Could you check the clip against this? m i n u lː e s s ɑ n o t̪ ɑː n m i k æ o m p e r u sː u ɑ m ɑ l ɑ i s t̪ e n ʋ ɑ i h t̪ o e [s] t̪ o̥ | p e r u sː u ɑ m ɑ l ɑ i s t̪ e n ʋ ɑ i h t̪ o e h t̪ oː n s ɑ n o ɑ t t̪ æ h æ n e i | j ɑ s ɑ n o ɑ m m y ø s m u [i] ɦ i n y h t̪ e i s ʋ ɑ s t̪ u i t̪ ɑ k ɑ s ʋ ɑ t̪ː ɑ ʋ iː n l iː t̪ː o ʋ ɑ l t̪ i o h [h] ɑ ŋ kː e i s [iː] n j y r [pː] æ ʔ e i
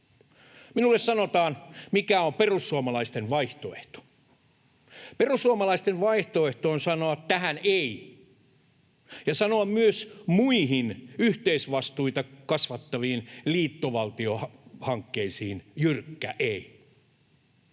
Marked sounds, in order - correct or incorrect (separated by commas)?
incorrect, correct, correct, correct, incorrect